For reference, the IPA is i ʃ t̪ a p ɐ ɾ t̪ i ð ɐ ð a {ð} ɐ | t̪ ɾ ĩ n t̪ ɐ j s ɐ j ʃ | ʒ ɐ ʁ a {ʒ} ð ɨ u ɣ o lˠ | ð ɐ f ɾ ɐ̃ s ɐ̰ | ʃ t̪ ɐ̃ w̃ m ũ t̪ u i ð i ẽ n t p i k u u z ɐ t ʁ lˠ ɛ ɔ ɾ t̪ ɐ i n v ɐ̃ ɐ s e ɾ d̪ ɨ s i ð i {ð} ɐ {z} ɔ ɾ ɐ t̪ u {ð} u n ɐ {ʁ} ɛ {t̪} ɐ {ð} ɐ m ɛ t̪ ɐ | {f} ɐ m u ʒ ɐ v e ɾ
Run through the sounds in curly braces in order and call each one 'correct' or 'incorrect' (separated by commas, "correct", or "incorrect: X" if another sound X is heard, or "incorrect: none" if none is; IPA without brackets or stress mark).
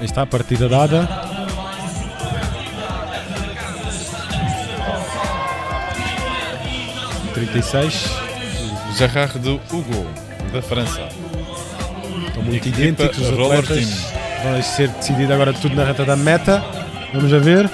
correct, incorrect: ʁ, correct, incorrect: ɣ, correct, correct, correct, correct, incorrect: v